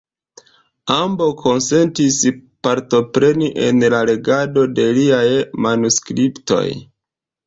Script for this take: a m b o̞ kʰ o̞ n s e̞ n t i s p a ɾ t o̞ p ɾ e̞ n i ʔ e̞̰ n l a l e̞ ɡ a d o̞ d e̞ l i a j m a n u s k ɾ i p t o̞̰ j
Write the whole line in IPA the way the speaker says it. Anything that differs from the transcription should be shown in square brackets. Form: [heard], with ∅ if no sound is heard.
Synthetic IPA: a m b o̞ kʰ o̞ n s e̞ n t i s p a ɾ t o̞ p ɾ e̞ n i ʔ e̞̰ n l a l e̞ ɡ a d o̞ d e̞ l i a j m a n u s k ɾ i p t o̞̰ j